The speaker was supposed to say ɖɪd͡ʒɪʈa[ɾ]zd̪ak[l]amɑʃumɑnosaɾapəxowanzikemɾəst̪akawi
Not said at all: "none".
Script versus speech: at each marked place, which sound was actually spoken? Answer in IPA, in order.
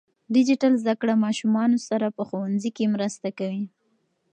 l, ɽ

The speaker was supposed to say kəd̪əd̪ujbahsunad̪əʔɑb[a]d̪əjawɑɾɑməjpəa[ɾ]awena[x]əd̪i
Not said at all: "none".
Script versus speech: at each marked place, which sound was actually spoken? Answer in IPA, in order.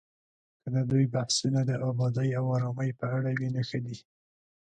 ɑ, ɽ, x

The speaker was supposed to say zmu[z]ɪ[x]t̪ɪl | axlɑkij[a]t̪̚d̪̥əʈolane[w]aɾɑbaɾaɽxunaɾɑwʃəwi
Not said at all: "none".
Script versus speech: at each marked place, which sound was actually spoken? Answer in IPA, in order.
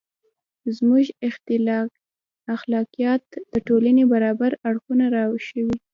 ʒ, x, ɑ, b

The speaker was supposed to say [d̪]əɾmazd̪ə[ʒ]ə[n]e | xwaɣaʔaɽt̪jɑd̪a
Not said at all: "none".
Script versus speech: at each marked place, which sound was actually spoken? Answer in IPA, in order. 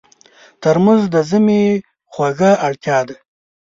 t̪, z, m

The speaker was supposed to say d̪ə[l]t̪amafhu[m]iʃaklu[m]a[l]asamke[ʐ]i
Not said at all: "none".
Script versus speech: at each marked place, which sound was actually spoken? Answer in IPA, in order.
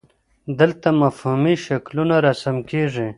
l, m, n, ɾ, ʐ

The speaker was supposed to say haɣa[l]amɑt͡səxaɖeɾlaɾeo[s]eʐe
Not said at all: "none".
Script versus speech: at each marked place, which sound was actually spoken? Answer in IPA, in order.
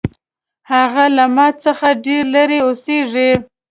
l, s

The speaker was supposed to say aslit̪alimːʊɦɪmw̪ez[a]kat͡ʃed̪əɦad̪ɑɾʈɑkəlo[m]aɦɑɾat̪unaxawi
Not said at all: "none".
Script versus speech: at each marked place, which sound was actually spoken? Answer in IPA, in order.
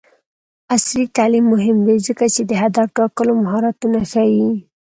ə, m

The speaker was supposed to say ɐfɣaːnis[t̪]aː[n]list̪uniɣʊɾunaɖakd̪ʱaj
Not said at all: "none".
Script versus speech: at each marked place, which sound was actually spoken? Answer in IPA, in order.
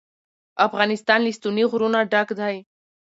t̪, n

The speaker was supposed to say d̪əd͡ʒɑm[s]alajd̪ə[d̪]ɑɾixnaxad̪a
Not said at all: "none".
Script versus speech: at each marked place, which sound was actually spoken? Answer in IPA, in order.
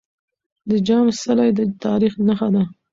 s, t̪

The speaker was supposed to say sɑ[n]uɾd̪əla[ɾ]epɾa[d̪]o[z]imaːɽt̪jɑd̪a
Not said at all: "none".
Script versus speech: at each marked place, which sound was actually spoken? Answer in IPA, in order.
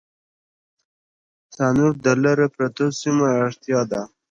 n, ɾ, t̪, s

